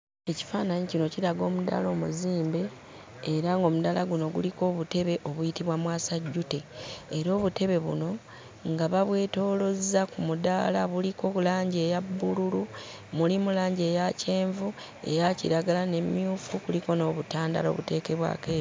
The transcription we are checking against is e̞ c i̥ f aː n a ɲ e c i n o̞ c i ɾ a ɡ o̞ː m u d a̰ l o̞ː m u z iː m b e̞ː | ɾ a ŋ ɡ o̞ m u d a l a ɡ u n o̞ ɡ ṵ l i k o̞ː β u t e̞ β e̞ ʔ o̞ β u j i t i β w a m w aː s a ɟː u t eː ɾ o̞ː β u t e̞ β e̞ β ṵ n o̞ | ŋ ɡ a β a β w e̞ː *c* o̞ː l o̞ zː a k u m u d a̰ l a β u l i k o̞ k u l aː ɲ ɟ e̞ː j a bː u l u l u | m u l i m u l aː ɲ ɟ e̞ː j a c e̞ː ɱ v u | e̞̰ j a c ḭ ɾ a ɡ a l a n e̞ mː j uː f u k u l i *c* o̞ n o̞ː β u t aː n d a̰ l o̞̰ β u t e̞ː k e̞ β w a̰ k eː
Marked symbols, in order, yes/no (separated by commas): no, no